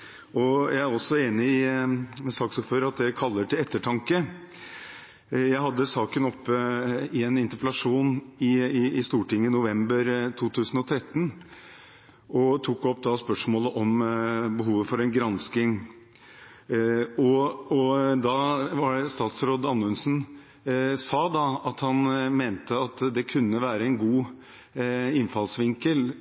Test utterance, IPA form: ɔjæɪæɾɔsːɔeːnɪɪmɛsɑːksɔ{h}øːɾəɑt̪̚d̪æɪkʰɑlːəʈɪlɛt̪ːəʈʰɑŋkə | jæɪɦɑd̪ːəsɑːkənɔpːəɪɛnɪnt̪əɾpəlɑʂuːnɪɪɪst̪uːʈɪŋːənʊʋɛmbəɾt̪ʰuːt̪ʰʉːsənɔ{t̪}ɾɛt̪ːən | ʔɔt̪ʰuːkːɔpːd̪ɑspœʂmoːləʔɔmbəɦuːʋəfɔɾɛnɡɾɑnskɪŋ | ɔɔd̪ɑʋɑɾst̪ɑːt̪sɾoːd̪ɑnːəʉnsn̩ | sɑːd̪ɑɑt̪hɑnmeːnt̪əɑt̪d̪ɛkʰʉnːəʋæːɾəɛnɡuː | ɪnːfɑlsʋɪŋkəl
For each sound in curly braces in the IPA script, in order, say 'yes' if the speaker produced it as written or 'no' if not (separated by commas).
no, no